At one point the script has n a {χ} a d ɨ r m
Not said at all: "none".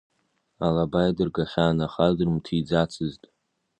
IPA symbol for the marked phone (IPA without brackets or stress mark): χ